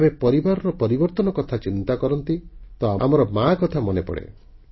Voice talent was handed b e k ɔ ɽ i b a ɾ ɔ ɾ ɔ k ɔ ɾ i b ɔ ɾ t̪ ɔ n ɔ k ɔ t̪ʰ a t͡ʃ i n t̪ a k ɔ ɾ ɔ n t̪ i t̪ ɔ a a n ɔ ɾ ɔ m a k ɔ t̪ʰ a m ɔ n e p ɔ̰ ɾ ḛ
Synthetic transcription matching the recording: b e p ɔ ɾ i b a ɾ ɔ ɾ ɔ p ɔ ɾ i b ɔ ɾ t̪ ɔ n ɔ k ɔ t̪ʰ a t͡ʃ i n t̪ a k ɔ ɾ ɔ n t̪ i t̪ ɔ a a m ɔ ɾ ɔ m a k ɔ t̪ʰ a m ɔ n e p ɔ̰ ɽ ḛ

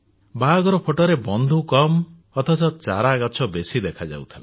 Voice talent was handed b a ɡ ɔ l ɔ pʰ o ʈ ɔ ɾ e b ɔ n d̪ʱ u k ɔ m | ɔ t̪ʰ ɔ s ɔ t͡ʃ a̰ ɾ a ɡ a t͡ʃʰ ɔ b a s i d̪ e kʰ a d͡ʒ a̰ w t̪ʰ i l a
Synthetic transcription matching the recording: b a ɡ ɔ ɾ ɔ pʰ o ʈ ɔ ɾ e b ɔ n d̪ʱ u k ɔ m | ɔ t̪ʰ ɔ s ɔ t͡ʃ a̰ ɾ a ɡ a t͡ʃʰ ɔ b e s i d̪ e kʰ a d͡ʒ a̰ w t̪ʰ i l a

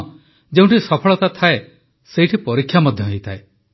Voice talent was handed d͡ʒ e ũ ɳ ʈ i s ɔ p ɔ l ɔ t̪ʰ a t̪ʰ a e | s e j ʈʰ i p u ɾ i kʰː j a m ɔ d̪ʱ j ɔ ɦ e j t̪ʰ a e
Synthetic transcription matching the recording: d͡ʒ e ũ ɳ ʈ i s ɔ pʰ ɔ ɭ ɔ t̪ a t̪ʰ a e | s e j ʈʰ i p ɔ ɾ i kʰː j a m ɔ d̪ʱ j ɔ ɦ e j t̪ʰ a e

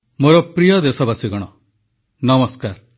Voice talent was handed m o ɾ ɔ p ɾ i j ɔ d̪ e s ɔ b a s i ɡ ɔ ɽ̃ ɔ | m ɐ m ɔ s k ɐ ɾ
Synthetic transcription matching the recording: m o ɾ ɔ p ɾ i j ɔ d̪ e s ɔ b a s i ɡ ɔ ɽ̃ ɔ | n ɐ m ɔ s k a ɾ

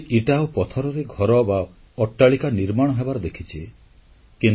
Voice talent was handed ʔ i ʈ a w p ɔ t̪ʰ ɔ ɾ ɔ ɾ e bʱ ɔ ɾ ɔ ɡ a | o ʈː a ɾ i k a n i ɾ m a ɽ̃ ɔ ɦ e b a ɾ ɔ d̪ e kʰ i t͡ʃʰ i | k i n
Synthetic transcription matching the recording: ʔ i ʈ a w p ɔ t̪ʰ ɔ ɾ ɔ ɾ e ɡʱ ɔ ɾ ɔ b a | ɔ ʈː a ɭ i k a n i ɾ m a ɽ̃ ɔ ɦ e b a ɾ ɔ d̪ e kʰ i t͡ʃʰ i | k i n

